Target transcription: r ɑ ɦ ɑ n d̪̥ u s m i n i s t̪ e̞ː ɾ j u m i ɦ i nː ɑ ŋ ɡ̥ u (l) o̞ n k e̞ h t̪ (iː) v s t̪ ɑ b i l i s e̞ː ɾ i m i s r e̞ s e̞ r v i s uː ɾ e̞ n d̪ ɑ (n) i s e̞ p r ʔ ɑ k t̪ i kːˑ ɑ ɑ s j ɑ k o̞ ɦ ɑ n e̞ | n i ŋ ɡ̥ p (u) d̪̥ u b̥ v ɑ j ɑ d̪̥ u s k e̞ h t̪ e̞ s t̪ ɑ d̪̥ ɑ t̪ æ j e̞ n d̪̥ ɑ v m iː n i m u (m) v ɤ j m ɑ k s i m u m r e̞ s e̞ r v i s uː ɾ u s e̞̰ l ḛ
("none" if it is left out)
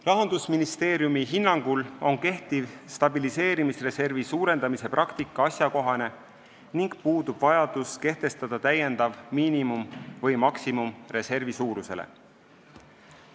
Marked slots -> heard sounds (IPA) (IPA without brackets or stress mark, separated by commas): l, i, m, uː, m